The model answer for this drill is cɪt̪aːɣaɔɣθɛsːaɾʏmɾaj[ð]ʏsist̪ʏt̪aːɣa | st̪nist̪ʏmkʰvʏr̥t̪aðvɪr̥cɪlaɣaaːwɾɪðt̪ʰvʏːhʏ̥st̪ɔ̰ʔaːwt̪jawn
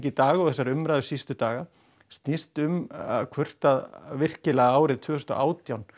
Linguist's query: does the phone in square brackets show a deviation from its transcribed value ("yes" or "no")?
no